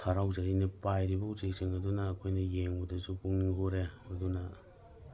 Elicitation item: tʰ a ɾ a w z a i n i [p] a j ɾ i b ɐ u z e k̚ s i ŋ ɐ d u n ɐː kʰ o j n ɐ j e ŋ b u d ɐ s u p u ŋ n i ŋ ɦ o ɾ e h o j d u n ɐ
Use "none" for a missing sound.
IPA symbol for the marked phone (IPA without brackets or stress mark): p